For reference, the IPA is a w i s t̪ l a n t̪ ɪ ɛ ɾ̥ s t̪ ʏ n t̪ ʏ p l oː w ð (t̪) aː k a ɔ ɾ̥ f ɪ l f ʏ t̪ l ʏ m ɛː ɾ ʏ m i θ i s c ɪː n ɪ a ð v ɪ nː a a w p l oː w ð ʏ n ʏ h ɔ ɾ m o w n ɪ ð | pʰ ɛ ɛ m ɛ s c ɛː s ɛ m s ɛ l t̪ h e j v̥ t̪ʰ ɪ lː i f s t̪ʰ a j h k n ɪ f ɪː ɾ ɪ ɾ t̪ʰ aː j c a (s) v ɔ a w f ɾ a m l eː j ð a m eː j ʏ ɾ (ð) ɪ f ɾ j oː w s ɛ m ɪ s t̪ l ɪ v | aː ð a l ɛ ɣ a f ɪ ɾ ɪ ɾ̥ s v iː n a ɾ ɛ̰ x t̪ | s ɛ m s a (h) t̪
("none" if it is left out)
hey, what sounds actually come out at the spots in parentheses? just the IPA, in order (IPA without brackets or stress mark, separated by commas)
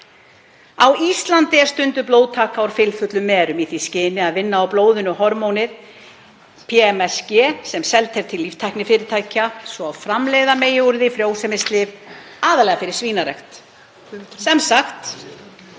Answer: t̪ʰ, s, ð, x